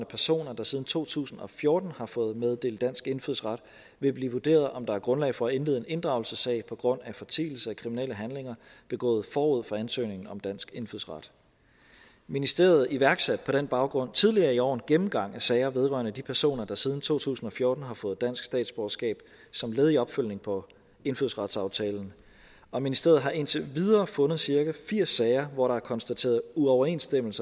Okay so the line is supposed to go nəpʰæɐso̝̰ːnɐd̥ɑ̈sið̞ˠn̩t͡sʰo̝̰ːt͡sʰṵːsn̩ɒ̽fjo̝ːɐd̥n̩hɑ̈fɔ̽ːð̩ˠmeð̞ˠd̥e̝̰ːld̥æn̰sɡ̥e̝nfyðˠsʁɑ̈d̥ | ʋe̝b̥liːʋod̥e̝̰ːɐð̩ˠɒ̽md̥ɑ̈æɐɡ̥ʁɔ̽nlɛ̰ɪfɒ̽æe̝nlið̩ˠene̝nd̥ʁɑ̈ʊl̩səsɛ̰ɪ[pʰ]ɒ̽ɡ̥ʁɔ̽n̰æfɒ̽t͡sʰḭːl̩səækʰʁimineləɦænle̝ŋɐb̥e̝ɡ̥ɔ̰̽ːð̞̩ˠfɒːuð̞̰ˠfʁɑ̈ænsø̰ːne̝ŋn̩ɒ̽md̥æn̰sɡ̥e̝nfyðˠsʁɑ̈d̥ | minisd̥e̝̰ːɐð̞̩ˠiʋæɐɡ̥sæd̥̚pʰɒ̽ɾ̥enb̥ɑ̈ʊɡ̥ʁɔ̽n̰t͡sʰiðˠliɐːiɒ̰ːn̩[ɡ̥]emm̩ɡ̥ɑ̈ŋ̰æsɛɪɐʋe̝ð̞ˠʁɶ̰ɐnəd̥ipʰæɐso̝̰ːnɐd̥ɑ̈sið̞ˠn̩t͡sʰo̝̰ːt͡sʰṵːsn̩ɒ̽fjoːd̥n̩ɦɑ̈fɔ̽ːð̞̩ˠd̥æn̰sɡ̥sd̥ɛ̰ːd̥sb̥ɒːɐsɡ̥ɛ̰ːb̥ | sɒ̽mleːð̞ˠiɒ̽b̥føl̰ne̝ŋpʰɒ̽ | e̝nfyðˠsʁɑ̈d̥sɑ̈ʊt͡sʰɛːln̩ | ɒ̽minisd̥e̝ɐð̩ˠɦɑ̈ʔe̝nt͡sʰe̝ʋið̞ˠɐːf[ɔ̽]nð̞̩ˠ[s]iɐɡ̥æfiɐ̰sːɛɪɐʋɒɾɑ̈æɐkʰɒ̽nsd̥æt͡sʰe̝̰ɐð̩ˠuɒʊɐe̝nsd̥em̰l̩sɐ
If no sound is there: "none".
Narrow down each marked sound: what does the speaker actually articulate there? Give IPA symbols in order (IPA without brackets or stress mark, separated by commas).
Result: pʰ, ɡ̥, ɔ̽, s